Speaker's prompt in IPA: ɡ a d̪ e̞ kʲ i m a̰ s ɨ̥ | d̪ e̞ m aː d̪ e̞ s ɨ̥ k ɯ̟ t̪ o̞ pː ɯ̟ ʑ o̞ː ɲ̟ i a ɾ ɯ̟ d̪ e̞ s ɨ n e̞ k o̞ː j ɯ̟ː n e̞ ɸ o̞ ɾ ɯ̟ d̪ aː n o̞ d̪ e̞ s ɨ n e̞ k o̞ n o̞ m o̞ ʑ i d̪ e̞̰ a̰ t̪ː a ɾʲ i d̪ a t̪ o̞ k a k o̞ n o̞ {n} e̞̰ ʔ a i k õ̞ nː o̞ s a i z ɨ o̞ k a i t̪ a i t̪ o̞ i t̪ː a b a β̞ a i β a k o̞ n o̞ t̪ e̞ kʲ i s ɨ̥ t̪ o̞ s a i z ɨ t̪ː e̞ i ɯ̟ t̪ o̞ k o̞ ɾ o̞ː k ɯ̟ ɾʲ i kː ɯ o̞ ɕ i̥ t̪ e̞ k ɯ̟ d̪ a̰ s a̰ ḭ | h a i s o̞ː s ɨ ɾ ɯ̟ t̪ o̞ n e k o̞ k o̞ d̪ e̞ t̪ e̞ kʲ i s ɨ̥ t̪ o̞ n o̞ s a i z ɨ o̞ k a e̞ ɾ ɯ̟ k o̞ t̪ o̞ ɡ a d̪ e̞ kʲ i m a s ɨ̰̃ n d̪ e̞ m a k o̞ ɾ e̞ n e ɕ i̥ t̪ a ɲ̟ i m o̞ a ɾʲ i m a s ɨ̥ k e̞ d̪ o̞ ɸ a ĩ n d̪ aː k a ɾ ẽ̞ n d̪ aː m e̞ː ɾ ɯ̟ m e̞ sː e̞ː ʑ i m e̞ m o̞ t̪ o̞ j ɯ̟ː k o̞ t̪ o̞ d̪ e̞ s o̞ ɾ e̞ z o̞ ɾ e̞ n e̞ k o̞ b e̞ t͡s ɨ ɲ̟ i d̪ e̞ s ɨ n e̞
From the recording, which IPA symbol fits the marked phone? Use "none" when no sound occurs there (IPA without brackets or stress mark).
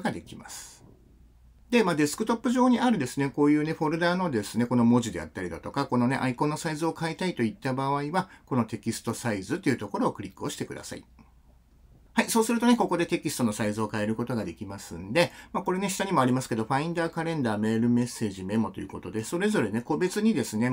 n